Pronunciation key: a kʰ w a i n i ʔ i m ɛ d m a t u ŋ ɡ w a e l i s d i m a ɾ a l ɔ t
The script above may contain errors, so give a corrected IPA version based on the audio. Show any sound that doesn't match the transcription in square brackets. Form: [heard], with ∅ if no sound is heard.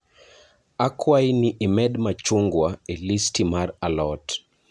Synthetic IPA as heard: a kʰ w a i n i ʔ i m ɛ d m a [t͡ʃ] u ŋ ɡ w a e l i s [t] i m a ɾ a l ɔ t